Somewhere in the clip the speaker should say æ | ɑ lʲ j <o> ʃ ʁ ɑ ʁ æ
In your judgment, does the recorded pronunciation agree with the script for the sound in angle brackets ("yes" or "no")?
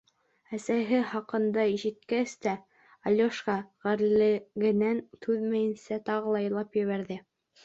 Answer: yes